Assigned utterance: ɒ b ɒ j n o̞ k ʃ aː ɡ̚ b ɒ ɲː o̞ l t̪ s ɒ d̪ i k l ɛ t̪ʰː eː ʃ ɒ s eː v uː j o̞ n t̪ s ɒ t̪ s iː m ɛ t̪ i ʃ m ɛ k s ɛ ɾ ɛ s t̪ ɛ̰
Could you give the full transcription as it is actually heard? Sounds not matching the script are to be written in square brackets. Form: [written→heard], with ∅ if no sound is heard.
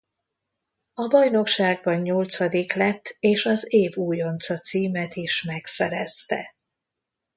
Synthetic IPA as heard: ɒ b ɒ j n o̞ k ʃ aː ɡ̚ b ɒ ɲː o̞ l t̪ s ɒ d̪ i k l ɛ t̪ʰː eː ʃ ɒ [s→z] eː v uː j o̞ n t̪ s ɒ t̪ s iː m ɛ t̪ i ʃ m ɛ k s ɛ ɾ ɛ s t̪ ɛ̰

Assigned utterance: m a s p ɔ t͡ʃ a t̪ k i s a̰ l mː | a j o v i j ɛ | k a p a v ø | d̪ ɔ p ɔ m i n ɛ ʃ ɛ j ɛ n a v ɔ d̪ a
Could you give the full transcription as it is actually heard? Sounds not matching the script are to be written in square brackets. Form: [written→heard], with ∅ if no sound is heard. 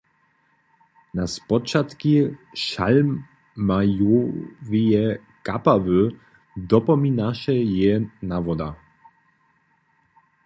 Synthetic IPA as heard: [m→n] a s p ɔ t͡ʃ a t̪ k i [s→ʃ] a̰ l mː | a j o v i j ɛ | k a p a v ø | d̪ ɔ p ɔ m i n [ɛ→a] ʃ ɛ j ɛ n a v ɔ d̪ a

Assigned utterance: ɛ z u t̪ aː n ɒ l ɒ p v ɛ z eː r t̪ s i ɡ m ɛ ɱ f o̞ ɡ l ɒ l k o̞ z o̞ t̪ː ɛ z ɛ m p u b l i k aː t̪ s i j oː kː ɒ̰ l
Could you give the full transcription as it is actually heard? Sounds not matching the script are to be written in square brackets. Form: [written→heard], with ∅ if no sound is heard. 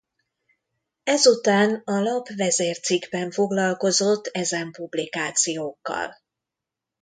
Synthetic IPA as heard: ɛ z u t̪ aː n ɒ l ɒ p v ɛ z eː r t̪ s i ɡ [m→b] ɛ ɱ f o̞ ɡ l ɒ l k o̞ z o̞ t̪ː ɛ z ɛ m p u b l i k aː t̪ s i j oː kː ɒ̰ l

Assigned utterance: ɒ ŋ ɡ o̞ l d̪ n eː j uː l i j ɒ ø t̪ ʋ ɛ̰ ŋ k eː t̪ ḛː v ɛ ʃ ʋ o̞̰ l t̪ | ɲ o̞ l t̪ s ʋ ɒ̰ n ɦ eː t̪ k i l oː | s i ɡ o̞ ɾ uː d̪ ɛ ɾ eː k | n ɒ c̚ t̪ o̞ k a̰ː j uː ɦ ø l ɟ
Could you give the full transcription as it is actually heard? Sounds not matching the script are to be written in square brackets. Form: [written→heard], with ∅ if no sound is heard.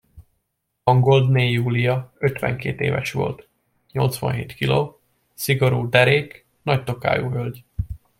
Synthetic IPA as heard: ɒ ŋ ɡ o̞ l d̪ n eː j uː l i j ɒ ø t̪ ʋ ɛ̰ ŋ k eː t̪ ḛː v ɛ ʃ ʋ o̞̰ l t̪ | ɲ o̞ l t̪ s ʋ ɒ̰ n ɦ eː t̪ k i l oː | s i ɡ o̞ ɾ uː d̪ ɛ ɾ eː k | n ɒ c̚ t̪ o̞ k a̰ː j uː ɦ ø l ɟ

